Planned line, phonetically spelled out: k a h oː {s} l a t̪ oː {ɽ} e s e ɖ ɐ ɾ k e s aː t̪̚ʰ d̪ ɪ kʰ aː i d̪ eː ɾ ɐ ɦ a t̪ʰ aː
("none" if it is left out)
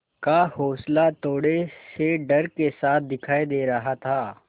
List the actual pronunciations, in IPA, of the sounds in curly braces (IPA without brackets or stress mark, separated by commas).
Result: s, ɽ